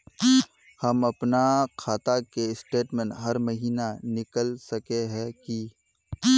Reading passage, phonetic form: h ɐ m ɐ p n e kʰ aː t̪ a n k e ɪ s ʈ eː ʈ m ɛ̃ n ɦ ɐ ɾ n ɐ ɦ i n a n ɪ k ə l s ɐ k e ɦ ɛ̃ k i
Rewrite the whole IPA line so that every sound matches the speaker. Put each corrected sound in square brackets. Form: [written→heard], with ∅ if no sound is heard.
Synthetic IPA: h ɐ m ɐ p n [e→a] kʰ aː t̪ a [n→∅] k e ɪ s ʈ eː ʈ m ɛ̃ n ɦ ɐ ɾ [n→m] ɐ ɦ [i→iː] n a n ɪ k ə l s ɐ k e ɦ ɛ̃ k i